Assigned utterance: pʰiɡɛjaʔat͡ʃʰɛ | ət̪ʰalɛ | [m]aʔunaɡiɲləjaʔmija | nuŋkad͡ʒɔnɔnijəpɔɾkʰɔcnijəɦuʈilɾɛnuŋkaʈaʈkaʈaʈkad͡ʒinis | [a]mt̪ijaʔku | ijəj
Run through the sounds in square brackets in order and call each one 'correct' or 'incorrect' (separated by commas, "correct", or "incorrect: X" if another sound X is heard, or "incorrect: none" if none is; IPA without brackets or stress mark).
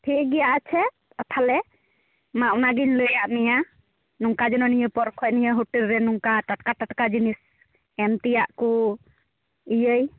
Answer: correct, incorrect: ɛ